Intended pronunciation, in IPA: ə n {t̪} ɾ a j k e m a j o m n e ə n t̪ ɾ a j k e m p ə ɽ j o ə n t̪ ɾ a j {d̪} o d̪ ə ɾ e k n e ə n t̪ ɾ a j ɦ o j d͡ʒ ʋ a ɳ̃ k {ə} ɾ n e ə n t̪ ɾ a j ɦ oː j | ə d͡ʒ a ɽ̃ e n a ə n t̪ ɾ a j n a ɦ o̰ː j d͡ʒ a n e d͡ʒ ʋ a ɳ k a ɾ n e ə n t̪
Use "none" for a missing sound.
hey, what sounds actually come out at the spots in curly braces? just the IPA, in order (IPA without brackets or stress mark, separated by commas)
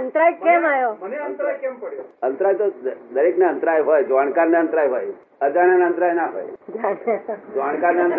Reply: t̪, t̪, a